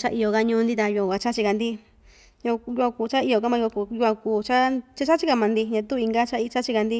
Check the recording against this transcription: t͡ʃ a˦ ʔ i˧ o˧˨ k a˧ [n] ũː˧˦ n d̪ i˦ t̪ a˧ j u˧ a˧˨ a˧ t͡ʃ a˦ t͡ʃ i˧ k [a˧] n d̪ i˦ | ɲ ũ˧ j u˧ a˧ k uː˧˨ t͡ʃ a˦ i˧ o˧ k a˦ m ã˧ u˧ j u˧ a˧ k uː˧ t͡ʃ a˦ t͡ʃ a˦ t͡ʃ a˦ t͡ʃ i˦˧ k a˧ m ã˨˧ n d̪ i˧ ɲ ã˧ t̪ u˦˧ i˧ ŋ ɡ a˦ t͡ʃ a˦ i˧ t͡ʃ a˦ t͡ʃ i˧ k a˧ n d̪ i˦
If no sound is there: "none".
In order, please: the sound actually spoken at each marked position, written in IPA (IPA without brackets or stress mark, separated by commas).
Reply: ɲ, a˧